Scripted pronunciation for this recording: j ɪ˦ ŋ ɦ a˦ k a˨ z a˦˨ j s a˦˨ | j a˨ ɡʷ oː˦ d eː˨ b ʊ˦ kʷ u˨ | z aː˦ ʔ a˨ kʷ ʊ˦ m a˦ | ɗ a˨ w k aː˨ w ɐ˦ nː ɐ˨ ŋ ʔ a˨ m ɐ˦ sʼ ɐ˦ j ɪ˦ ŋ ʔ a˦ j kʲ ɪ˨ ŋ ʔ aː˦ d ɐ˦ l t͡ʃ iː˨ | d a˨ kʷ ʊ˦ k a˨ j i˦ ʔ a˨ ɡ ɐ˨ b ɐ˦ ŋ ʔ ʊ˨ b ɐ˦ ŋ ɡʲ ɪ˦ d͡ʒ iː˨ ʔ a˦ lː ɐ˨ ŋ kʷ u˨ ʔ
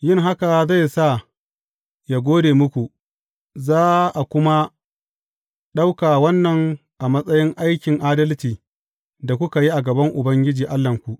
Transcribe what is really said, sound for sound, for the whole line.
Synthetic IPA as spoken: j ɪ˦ ŋ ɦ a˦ k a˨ z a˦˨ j s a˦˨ | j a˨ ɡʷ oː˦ d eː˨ m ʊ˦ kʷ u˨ | z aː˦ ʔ a˨ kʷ ʊ˦ m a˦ | ɗ a˦ w k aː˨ w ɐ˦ nː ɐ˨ ŋ ʔ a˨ m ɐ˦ sʼ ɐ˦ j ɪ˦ ŋ ʔ a˦ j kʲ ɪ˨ ŋ ʔ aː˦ d ɐ˦ l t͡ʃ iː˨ | d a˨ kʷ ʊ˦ k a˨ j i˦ ʔ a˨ ɡ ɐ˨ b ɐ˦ ŋ ʔ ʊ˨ b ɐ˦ ŋ ɡʲ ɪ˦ d͡ʒ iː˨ ʔ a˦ lː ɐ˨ ŋ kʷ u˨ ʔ